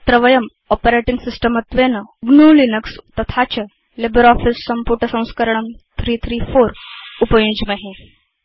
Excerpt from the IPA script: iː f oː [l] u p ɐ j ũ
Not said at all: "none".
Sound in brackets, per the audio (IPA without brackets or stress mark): ɾ